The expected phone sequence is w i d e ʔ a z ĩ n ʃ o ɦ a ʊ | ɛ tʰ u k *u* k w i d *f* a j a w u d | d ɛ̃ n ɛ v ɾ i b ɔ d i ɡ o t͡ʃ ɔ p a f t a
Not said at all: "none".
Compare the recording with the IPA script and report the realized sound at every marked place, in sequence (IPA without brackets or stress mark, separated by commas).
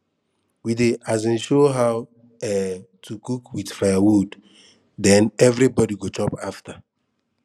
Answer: u, f